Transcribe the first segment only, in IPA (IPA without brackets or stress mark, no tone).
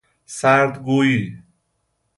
s